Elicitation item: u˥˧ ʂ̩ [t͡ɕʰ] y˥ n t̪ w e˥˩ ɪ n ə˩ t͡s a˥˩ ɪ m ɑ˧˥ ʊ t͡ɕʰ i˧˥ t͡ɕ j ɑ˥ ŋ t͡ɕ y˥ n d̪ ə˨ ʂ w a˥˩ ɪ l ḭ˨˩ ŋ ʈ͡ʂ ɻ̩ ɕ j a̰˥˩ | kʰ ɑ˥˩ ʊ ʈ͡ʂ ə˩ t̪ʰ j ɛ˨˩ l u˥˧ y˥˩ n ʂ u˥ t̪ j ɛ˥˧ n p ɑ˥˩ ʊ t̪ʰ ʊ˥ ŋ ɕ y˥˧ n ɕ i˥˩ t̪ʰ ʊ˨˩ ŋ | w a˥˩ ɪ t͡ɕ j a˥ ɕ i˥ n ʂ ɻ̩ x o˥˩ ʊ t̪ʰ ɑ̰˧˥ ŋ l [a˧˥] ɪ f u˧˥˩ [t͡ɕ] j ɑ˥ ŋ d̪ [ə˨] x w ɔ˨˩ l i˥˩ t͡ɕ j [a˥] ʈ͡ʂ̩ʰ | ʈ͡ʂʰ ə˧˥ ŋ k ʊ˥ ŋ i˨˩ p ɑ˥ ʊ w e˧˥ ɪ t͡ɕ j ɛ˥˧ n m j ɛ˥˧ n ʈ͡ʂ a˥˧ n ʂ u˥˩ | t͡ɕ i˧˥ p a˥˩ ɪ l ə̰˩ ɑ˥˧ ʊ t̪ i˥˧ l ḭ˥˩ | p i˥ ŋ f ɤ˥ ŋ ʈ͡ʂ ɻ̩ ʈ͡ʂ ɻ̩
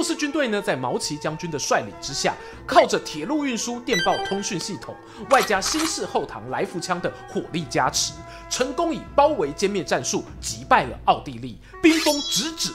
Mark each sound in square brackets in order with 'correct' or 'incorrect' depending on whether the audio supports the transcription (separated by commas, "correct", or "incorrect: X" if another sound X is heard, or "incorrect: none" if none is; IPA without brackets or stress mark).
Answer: incorrect: t͡ɕ, correct, incorrect: t͡ɕʰ, correct, correct